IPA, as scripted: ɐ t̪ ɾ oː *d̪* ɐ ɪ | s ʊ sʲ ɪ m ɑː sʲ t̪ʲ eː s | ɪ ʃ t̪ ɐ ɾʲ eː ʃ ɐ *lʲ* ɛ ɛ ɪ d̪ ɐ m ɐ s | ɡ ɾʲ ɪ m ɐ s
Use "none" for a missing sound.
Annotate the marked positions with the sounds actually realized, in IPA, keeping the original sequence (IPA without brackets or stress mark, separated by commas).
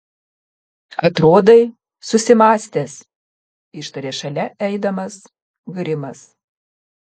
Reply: d̪, lʲ